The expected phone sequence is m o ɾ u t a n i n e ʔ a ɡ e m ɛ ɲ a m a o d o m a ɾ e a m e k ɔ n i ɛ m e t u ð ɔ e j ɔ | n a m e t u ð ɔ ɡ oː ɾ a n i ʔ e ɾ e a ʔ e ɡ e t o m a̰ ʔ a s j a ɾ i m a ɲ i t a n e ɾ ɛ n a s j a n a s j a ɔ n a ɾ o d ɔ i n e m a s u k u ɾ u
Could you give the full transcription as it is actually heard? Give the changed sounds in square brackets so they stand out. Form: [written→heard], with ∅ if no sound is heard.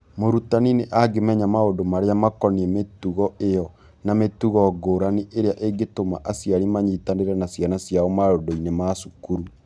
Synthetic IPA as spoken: m o ɾ u t a n i n e ʔ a ɡ e m ɛ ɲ a m a o d o m a ɾ e a m [e→a] k ɔ n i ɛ m e t u [ð→ɣ] ɔ e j ɔ | n a m e t u [ð→ɣ] ɔ ɡ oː ɾ a n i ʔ e ɾ e a ʔ e ɡ e t o m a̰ ʔ a s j a ɾ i m a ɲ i t a n e ɾ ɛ n a s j a n a s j a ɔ [n→m] a ɾ o d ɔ i n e m a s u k u ɾ u

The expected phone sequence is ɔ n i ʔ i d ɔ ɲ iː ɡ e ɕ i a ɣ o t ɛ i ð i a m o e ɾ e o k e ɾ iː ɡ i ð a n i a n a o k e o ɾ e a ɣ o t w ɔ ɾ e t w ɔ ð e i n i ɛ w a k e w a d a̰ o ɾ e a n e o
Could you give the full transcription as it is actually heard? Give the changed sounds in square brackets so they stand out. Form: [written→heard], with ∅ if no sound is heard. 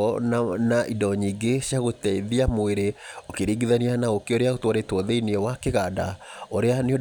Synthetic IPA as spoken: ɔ n [i→a] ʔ i d ɔ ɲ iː ɡ e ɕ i a ɣ o t ɛ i ð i a m o e ɾ e o k e ɾ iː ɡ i ð a n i a n a o k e o ɾ e a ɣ o t w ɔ ɾ e t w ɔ ð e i n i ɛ w a k e [w→ɣ] a d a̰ o ɾ e a n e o

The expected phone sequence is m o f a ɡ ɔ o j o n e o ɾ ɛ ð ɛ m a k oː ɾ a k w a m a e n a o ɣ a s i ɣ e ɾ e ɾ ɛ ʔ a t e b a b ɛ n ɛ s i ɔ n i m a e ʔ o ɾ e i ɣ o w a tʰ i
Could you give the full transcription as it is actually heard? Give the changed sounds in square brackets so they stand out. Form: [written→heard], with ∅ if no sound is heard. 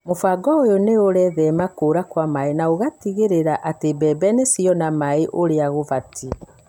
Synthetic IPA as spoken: m o f a ɡ ɔ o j o n e o ɾ ɛ ð ɛ m a k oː ɾ a k w a m a e n a o ɣ a [s→t] i ɣ e ɾ e ɾ [ɛ→a] ʔ a t e b [a→ɛ] b ɛ n [ɛ→e] s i ɔ n [i→a] m a e ʔ o ɾ e [i→a] ɣ o [w→v] a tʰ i

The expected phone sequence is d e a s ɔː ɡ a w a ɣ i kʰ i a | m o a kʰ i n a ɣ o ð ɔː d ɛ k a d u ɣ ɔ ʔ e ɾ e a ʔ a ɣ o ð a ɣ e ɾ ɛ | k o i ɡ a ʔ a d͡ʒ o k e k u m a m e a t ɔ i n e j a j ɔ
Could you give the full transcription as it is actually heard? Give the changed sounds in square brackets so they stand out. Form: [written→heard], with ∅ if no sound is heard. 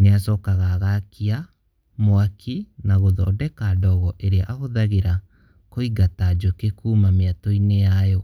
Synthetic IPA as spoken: [d→n] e a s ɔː [ɡ→k] a [w→ɣ] a ɣ [i→a] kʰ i a | m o a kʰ i n a ɣ o ð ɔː d ɛ k a d [u→ɔ] ɣ ɔ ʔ e ɾ e a ʔ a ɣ o ð a ɣ e ɾ [ɛ→a] | k o i ɡ a [ʔ→t] a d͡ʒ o k e k u m a m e a t ɔ i n e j a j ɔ

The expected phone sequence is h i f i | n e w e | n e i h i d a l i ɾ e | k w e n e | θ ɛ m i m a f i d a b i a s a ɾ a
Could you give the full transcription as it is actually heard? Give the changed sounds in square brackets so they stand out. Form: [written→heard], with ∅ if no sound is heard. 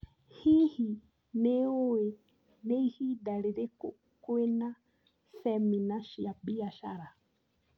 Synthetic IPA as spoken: h i [f→h] i | n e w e | n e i h i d a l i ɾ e | k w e n [e→a] | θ ɛ m i [m→n] a [f→ʃ] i [d→∅] a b i a [s→ʃ] a ɾ a

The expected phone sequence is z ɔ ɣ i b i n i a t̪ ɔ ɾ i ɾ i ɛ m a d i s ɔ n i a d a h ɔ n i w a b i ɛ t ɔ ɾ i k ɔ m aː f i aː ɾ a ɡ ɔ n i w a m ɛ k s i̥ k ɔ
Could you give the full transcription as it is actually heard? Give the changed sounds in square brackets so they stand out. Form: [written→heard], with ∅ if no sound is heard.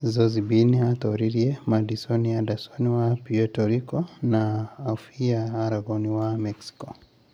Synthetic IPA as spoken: z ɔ [ɣ→z] i b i n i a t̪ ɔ ɾ i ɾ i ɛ m a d i s ɔ n i a d a [h→s] ɔ n i w a [b→p] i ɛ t ɔ ɾ i k ɔ [m→n] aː f i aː ɾ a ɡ ɔ n i w a m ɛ k s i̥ k ɔ

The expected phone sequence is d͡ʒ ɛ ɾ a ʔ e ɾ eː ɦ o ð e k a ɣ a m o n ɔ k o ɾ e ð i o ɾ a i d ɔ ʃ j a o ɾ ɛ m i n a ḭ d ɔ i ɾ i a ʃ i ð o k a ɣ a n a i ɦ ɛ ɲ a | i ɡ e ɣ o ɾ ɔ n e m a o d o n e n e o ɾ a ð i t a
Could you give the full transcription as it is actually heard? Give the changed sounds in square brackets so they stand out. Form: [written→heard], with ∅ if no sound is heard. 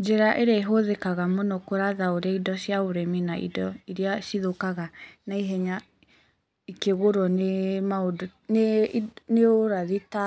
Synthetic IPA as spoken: d͡ʒ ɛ ɾ a ʔ e ɾ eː ɦ o ð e k a ɣ a m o n ɔ k o ɾ [e→a] ð [i→a] o ɾ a i d ɔ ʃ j a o ɾ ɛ m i n a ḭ d ɔ i ɾ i a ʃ i ð o k a ɣ a n a i ɦ ɛ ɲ a | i [ɡ→k] e ɣ o ɾ ɔ n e m a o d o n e n e o ɾ a ð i t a

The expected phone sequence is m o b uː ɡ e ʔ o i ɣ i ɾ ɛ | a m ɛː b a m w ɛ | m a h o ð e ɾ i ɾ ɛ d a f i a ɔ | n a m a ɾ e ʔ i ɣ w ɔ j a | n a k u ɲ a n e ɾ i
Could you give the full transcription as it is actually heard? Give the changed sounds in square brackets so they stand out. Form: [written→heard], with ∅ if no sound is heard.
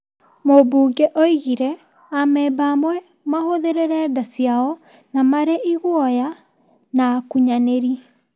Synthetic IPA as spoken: m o b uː ɡ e ʔ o i ɣ i ɾ ɛ | a m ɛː b a m w ɛ | m a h o ð e ɾ [i→e] ɾ ɛ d a [f→s] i a ɔ | n a m a ɾ e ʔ i ɣ w ɔ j a | n a k u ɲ a n e ɾ i

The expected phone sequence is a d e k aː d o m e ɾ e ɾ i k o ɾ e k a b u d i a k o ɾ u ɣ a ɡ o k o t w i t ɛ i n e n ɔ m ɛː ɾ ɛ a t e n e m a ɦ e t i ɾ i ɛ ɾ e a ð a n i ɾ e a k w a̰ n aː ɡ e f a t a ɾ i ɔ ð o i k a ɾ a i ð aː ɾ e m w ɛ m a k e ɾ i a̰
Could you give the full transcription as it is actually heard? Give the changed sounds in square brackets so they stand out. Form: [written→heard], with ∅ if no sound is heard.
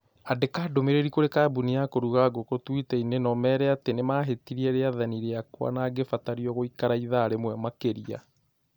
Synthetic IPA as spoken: a d e k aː d o m e ɾ e ɾ i k o ɾ e k a b u [d→n] i a k o ɾ u ɣ a ɡ o k o t w i t ɛ i n e n ɔ m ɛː ɾ ɛ a t e n e m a ɦ e t i ɾ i ɛ ɾ e a ð a n i ɾ e a k w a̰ n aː ɡ e f a t a ɾ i ɔ [ð→ɣ] o i k a ɾ a i ð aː ɾ e m w ɛ m a k e ɾ i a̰

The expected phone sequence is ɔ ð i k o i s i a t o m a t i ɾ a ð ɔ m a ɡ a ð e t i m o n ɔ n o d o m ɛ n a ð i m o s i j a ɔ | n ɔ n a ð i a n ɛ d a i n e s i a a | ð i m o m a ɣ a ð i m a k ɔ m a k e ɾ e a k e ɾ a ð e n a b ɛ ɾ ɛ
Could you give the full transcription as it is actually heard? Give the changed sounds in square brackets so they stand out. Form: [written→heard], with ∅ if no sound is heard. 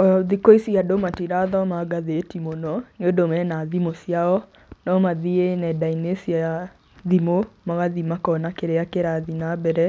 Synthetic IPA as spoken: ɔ ð i k o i s i a [t→d] o m a t i ɾ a ð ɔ m a ɡ a ð e t i m o n ɔ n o d o m ɛ n a ð i m o s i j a ɔ | n ɔ [n→m] a ð i [a→e] n ɛ d a i n e s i a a | ð i m o m a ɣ a ð i m a k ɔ [m→n] a k e ɾ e a k e ɾ a ð [e→i] n a b ɛ ɾ ɛ

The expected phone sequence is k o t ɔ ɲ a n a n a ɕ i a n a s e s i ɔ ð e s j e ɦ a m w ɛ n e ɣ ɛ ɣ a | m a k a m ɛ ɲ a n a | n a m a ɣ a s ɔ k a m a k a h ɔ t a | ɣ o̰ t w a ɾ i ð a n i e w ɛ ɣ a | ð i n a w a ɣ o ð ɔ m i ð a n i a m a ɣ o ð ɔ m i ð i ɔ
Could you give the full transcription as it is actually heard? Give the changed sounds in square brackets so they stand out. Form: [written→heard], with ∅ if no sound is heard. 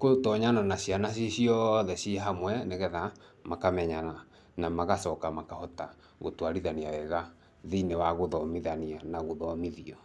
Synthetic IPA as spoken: k o t ɔ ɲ a n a n a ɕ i a n a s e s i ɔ ð [e→ɛ] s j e ɦ a m w ɛ n e ɣ ɛ [ɣ→ð] a | m a k a m ɛ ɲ a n a | n a m a ɣ a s ɔ k a m a k a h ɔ t a | ɣ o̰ t w a ɾ i ð a n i [e→a] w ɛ ɣ a | ð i n [a→e] w a ɣ o ð ɔ m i ð a n i a [m→n] a ɣ o ð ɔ m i ð i ɔ

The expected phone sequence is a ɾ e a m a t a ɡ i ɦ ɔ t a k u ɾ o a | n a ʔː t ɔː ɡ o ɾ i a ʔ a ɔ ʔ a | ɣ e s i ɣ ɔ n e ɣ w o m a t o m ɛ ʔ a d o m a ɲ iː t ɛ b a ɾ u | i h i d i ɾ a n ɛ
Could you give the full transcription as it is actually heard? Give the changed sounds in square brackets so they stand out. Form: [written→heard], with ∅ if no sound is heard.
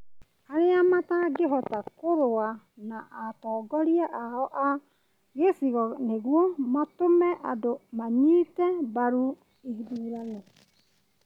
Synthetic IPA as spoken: a ɾ e a m a t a ɡ [i→e] ɦ ɔ t a k [u→o] ɾ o a | n a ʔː t ɔː ɡ [o→ɔ] ɾ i a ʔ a ɔ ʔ a | ɣ e s i ɣ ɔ n e ɣ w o m a t o m ɛ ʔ a d o m a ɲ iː t ɛ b a ɾ u | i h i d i ɾ a n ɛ

